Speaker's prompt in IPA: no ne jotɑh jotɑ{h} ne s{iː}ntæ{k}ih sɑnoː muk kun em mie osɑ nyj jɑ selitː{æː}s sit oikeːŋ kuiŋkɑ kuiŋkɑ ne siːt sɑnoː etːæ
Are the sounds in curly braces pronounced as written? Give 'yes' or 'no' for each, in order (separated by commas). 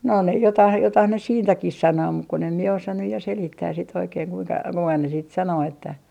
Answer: yes, yes, yes, yes